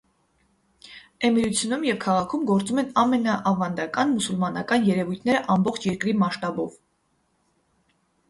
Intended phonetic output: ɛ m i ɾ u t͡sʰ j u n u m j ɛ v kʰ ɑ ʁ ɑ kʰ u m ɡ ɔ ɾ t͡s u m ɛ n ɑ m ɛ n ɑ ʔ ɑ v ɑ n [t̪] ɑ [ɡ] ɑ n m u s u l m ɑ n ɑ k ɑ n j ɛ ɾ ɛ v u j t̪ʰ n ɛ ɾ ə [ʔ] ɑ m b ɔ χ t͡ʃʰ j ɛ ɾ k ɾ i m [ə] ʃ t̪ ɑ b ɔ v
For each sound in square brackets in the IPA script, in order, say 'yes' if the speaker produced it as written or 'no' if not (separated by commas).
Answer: no, no, yes, no